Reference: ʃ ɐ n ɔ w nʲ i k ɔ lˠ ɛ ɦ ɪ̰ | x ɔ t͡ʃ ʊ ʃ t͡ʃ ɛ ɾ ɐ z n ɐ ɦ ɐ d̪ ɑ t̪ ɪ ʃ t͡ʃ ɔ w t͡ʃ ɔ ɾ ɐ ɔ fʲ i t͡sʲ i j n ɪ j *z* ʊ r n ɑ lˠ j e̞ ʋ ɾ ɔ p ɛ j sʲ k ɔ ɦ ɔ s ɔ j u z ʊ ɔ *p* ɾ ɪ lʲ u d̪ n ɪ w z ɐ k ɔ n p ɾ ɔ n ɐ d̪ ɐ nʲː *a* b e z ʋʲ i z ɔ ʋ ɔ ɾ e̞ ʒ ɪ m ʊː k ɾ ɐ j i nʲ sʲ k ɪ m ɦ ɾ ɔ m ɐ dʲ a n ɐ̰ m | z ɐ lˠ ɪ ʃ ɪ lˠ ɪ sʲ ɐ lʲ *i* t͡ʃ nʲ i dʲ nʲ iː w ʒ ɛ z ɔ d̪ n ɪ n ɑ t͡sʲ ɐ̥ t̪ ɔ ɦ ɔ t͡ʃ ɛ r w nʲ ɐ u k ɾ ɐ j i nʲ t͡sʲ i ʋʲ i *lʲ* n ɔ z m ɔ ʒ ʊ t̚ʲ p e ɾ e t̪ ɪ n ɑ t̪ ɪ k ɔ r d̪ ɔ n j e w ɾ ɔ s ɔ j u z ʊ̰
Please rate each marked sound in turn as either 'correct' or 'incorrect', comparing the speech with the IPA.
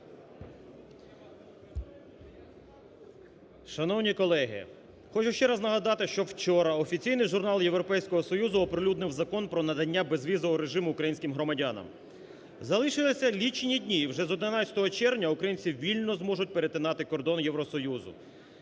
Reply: incorrect, correct, correct, correct, correct

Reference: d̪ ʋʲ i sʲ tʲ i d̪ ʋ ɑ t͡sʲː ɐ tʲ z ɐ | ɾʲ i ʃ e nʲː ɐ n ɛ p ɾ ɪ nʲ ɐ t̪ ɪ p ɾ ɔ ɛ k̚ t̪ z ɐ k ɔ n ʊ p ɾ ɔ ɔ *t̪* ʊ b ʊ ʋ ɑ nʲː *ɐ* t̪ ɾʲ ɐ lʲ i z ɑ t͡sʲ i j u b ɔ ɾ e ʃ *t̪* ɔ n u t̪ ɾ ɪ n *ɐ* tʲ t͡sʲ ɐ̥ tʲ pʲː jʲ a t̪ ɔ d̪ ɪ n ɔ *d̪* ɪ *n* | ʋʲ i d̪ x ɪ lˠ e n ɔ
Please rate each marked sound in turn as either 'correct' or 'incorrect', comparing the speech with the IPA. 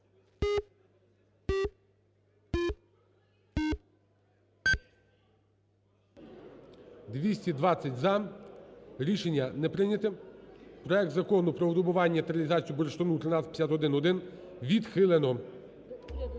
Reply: incorrect, correct, correct, incorrect, correct, correct

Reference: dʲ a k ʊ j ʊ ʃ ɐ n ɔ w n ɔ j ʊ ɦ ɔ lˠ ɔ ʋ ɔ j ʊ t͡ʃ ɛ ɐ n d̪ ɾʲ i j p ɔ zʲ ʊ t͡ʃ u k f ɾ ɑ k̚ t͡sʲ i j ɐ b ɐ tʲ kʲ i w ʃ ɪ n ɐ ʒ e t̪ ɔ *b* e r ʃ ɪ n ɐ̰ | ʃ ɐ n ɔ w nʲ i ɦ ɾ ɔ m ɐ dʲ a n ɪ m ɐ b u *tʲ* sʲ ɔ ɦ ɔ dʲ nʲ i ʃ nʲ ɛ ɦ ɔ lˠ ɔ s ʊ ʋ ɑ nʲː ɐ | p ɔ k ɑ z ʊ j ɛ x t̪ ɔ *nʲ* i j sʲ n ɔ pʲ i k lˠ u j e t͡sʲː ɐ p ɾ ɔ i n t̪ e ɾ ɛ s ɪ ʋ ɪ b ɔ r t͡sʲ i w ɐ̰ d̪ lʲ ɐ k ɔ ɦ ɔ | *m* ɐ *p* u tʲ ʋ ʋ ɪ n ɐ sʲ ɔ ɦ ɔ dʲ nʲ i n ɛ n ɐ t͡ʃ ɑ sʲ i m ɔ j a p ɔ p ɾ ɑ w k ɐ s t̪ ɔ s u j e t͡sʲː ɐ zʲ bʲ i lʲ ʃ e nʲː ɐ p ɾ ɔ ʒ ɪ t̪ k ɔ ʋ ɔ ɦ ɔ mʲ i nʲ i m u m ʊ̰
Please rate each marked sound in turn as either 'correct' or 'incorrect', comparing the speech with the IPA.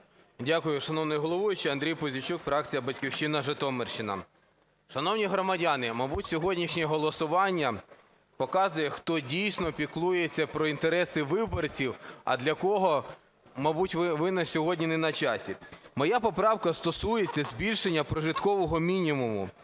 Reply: incorrect, correct, incorrect, correct, incorrect

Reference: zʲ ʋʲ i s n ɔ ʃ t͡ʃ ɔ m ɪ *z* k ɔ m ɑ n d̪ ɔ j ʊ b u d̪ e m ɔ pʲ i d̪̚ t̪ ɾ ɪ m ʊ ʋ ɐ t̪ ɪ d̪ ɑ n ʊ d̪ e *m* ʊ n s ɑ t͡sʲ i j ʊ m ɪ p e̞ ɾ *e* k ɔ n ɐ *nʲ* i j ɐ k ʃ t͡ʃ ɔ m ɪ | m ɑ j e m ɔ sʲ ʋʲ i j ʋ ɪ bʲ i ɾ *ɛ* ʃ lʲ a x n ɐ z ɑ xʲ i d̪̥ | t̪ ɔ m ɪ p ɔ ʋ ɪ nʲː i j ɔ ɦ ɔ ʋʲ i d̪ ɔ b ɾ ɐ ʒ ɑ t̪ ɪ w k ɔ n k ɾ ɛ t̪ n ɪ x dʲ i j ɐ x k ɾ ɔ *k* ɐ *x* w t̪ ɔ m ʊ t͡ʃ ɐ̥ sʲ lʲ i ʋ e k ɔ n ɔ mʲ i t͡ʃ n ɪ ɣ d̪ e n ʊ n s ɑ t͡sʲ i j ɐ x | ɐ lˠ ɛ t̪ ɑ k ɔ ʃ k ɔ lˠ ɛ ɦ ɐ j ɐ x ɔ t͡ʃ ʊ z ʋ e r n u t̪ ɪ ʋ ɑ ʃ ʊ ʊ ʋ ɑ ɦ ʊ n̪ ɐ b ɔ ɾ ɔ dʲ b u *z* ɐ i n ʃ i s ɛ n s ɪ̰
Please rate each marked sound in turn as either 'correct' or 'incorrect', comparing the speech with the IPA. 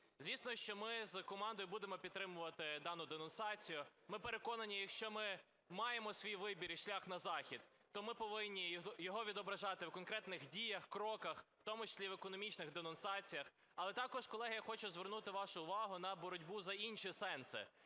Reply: correct, incorrect, correct, correct, incorrect, correct, correct, correct

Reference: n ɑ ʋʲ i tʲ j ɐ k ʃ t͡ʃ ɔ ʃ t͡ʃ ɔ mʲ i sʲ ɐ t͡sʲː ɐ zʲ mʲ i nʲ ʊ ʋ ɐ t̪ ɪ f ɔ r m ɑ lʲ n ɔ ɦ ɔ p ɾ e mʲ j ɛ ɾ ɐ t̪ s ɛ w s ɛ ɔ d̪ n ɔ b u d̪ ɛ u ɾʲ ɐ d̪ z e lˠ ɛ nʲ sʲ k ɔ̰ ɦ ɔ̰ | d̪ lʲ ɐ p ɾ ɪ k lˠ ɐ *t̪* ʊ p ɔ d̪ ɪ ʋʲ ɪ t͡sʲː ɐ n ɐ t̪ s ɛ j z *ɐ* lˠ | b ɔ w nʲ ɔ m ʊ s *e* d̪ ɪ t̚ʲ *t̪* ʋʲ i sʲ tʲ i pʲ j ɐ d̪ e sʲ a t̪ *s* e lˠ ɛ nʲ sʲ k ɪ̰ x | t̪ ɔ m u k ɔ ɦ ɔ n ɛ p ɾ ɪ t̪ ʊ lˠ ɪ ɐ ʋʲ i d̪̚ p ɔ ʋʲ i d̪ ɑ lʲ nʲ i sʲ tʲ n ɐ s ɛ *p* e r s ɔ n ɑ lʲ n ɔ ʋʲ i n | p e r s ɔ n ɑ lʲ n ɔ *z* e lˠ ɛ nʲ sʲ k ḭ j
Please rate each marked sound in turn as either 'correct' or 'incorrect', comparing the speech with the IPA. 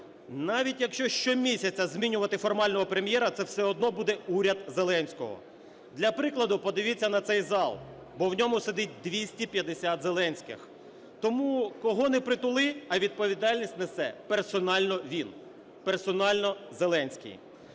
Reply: incorrect, incorrect, correct, incorrect, incorrect, correct, correct

